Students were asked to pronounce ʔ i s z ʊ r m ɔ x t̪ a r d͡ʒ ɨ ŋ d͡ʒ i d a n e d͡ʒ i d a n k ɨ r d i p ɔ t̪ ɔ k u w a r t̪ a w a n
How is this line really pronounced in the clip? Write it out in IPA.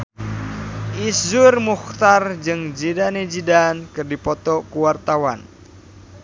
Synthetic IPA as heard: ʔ i s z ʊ r m u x t̪ a r d͡ʒ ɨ ŋ d͡ʒ i d a n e d͡ʒ i d a n k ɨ r d i p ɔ t̪ ɔ k u w a r t̪ a w a n